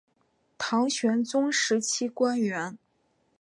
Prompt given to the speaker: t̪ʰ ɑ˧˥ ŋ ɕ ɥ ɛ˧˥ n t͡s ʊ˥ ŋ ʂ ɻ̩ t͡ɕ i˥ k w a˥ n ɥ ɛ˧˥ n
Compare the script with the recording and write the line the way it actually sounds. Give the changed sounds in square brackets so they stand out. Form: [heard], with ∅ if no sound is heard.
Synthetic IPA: t̪ʰ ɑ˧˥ ŋ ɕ ɥ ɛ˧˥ n t͡s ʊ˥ ŋ ʂ ɻ̩ [t͡ɕʰ] i˥ k w a˥ n ɥ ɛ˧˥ n

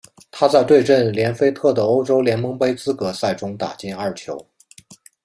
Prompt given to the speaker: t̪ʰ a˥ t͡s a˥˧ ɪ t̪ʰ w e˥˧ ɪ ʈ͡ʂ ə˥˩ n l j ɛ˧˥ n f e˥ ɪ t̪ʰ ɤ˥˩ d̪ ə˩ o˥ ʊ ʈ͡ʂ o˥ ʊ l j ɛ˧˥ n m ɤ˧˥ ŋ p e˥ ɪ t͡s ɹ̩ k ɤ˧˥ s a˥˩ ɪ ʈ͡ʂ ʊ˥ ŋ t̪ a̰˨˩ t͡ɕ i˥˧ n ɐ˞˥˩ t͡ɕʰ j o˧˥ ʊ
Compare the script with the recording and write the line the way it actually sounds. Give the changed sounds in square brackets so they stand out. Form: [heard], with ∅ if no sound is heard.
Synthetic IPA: t̪ʰ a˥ t͡s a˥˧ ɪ [t̪] w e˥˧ ɪ ʈ͡ʂ ə˥˩ n l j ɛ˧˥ n f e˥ ɪ t̪ʰ ɤ˥˩ d̪ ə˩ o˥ ʊ ʈ͡ʂ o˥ ʊ l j ɛ˧˥ n m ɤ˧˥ ŋ p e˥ ɪ t͡s ɹ̩ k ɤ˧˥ s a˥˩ ɪ ʈ͡ʂ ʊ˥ ŋ t̪ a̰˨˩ t͡ɕ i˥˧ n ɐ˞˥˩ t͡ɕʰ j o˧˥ ʊ

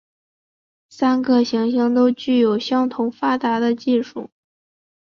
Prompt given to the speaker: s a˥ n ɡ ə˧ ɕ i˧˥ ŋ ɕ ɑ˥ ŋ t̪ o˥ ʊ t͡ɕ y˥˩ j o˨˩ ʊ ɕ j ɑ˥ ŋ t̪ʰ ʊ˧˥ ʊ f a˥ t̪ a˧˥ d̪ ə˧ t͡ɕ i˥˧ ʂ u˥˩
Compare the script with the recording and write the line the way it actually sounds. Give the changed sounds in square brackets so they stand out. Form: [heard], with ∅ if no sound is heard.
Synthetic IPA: s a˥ n ɡ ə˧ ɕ i˧˥ ŋ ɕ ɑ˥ ŋ t̪ o˥ ʊ t͡ɕ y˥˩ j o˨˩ ʊ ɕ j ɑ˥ ŋ t̪ʰ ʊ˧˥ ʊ f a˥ t̪ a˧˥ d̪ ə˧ t͡ɕ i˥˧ ʂ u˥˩

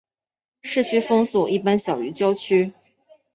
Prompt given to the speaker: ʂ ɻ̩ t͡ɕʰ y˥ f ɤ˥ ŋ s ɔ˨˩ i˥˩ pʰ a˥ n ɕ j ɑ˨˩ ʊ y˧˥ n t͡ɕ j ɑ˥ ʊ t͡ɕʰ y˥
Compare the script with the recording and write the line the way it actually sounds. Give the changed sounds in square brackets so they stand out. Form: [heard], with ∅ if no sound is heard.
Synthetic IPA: ʂ ɻ̩ t͡ɕʰ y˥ f ɤ˥ ŋ s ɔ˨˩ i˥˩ [p] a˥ n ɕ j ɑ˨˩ ʊ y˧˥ [∅] t͡ɕ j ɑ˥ ʊ t͡ɕʰ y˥

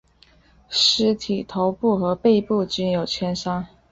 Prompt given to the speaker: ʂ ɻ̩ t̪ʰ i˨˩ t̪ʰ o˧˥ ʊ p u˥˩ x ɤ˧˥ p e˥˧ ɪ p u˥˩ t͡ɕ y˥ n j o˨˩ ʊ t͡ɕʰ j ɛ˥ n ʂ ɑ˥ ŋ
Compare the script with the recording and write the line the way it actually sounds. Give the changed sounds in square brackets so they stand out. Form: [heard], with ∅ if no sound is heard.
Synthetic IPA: ʂ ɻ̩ t̪ʰ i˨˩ t̪ʰ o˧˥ ʊ p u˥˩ x ɤ˧˥ p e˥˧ ɪ p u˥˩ t͡ɕ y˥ n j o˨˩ ʊ t͡ɕʰ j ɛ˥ n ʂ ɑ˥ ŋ

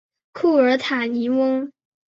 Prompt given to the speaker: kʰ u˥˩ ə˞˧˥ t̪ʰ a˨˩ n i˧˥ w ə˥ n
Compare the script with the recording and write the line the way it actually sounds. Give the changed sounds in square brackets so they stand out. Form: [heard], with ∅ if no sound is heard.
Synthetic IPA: kʰ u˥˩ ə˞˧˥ t̪ʰ a˨˩ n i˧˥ w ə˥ [ŋ]

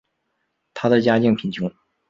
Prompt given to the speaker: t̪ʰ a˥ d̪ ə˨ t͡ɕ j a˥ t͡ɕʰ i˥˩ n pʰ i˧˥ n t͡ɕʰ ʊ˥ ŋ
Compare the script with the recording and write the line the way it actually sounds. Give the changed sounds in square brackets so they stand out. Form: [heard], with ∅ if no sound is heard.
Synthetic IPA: t̪ʰ a˥ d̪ ə˨ t͡ɕ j a˥ [t͡ɕ] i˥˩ [ŋ] pʰ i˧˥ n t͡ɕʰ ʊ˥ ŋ

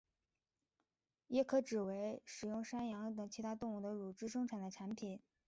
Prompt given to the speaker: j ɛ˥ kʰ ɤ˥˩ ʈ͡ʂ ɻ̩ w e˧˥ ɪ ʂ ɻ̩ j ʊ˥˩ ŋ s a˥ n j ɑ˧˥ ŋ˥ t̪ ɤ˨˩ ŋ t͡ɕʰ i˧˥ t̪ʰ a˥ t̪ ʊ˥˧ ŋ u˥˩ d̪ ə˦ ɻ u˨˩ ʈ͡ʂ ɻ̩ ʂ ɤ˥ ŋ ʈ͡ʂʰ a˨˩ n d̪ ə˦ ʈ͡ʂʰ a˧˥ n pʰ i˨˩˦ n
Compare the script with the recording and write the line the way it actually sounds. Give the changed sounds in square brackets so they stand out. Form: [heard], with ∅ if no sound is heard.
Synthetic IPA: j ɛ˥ kʰ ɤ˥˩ ʈ͡ʂ ɻ̩ w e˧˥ ɪ ʂ ɻ̩ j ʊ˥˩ ŋ [ʂ] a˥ n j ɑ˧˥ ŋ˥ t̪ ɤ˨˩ ŋ t͡ɕʰ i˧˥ t̪ʰ a˥ t̪ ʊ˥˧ ŋ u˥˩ d̪ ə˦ ɻ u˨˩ ʈ͡ʂ ɻ̩ ʂ ɤ˥ ŋ ʈ͡ʂʰ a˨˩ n d̪ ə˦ ʈ͡ʂʰ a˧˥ n pʰ i˨˩˦ n

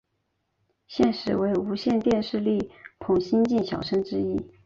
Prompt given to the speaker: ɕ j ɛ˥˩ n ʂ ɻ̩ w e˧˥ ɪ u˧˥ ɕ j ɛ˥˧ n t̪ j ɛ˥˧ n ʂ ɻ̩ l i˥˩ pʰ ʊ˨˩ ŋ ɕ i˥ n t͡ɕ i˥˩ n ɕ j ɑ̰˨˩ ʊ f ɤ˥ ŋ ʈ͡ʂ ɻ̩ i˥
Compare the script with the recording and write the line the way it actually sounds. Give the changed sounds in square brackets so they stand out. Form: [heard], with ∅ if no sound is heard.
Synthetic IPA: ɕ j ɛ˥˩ n ʂ ɻ̩ w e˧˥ ɪ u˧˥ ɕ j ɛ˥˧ n t̪ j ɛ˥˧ n ʂ ɻ̩ l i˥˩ pʰ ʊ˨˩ ŋ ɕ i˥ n t͡ɕ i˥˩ n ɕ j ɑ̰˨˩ ʊ [ʂ] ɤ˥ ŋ ʈ͡ʂ ɻ̩ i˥

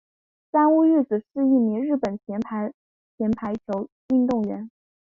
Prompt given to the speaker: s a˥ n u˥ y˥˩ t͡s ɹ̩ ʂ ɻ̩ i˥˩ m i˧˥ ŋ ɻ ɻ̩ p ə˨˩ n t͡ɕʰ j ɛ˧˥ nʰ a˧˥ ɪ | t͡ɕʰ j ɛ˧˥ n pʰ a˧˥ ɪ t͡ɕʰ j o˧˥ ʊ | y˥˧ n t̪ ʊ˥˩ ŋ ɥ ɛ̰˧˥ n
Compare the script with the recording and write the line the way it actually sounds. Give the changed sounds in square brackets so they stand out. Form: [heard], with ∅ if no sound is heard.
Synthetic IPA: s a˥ n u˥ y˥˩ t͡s ɹ̩ ʂ ɻ̩ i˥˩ m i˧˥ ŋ ɻ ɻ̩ p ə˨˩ n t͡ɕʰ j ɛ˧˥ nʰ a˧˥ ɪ | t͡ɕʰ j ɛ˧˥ n pʰ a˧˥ ɪ t͡ɕʰ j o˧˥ ʊ | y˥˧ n t̪ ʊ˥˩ ŋ ɥ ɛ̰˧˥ n

